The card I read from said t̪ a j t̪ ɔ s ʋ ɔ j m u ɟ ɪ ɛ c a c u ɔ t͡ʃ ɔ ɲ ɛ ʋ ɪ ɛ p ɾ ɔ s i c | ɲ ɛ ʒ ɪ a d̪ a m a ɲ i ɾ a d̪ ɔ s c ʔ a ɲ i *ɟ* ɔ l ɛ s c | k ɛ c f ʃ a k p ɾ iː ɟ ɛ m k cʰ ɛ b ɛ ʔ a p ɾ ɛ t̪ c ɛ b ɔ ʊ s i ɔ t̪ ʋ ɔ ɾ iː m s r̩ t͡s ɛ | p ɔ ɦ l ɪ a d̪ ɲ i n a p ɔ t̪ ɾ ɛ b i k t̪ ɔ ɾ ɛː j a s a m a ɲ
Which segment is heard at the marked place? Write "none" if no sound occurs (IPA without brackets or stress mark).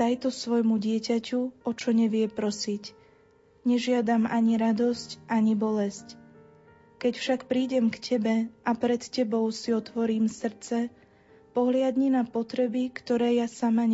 b